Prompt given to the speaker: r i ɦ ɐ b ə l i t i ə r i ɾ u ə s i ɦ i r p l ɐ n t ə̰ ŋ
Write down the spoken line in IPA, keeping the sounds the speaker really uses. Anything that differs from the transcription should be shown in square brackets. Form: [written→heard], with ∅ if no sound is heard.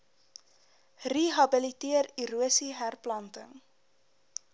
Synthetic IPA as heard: r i ɦ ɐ b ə l i t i ə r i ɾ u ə s i ɦ [i→æ] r p l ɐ n t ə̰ ŋ